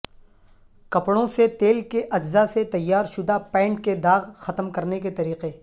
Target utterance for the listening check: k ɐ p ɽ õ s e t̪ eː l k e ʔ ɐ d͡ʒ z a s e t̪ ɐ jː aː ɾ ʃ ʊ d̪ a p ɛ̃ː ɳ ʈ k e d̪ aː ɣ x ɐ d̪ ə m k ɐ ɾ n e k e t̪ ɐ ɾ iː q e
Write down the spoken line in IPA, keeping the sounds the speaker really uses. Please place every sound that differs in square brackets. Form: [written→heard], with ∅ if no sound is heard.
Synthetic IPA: k ɐ p ɽ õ s e t̪ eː l k e ʔ ɐ d͡ʒ z a s e t̪ ɐ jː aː ɾ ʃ ʊ d̪ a p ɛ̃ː ɳ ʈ k e d̪ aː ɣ x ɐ [d̪→t̪] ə m k ɐ ɾ n e k e t̪ ɐ ɾ iː q e